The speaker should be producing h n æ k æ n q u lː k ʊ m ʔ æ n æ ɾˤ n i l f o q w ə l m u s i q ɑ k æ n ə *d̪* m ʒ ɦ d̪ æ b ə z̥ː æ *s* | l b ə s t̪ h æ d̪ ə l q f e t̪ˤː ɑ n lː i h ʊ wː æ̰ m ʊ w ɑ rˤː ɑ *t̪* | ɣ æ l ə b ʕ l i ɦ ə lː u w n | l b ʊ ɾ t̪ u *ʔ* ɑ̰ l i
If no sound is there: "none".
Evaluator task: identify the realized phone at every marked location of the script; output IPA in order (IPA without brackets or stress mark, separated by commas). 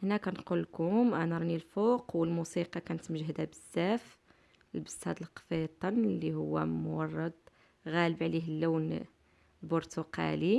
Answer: t̪, f, d̪, q